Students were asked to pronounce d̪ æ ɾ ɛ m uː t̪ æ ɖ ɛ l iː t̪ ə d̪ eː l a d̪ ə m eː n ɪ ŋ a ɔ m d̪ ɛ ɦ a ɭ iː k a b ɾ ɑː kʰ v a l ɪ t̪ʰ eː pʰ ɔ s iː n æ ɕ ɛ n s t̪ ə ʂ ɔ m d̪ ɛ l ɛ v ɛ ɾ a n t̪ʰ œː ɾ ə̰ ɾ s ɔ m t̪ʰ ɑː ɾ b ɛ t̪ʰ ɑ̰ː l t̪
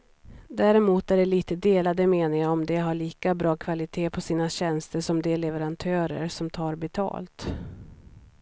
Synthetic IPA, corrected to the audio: d̪ æ ɾ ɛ m uː t̪ æ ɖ ɛ l iː t̪ ə d̪ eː l a d̪ ə m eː n ɪ ŋ a ɔ m d̪ ɛ ɦ a ɭ iː k a b ɾ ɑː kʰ v a l ɪ t̪ʰ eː pʰ ɔ s iː n a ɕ ɛ n s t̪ ə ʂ ɔ m d̪ ɛ l ɛ v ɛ ɾ a n t̪ʰ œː ɾ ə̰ ɾ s ɔ m t̪ʰ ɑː ɾ b ɛ t̪ʰ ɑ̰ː l t̪

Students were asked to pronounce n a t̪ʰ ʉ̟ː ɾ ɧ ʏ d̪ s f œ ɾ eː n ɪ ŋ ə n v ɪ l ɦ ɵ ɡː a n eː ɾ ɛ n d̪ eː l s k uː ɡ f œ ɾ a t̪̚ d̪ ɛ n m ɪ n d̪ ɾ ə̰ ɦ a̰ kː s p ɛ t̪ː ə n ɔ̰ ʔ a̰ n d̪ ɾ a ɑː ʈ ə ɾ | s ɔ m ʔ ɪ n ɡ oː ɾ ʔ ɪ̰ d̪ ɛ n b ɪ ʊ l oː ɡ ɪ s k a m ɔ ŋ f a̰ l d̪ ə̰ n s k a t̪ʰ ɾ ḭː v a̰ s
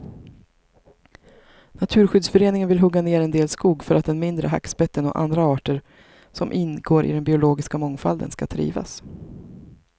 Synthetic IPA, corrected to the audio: n a t̪ʰ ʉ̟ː ɾ ɧ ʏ d̪ s f œ ɾ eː n ɪ ŋ ə n v ɪ l ɦ ɵ ɡː a n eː ɾ ɛ n d̪ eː l s k uː ɡ f œ ɾ a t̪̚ d̪ ɛ n m ɪ n d̪ ɾ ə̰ ɦ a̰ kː s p ɛ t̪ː ə n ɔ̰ ʔ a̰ n d̪ ɾ a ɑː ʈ ə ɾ | s ɔ m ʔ ɪ n ɡ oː ɾ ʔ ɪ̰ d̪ ɛ n b ɪ ʊ l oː ɡ ɪ s k a m ɔ ŋ f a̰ l d̪ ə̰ n s k a t̪ʰ ɾ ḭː v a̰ s

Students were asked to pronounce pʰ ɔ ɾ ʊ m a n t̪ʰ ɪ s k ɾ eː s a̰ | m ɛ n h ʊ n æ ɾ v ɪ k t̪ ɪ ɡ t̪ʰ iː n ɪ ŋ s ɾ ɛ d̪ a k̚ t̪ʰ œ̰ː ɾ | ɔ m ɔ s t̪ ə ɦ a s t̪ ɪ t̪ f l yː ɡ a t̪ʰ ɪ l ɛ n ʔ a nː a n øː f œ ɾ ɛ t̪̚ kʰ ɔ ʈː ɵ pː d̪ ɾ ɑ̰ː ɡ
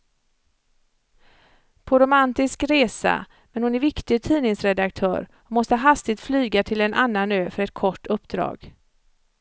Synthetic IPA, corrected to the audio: pʰ ɔ ɾ ʊ m a n t̪ ɪ s k ɾ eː s a̰ | m ɛ n h ʊ n æ ɾ v ɪ k t̪ ɪ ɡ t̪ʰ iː n ɪ ŋ s ɾ ɛ d̪ a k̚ t̪ʰ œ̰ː ɾ | ɔ m ɔ s t̪ ə ɦ a s t̪ ɪ t̪ f l yː ɡ a t̪ʰ ɪ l ɛ n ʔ a nː a n øː f œ ɾ ɛ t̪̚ kʰ ɔ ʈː ɵ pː d̪ ɾ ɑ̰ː ɡ

